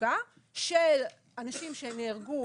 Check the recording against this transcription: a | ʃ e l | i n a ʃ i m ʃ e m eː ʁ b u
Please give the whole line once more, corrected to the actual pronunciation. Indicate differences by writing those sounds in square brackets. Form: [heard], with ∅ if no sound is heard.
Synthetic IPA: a | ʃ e l | [a] n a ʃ i m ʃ e [n] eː ʁ [ɡ] u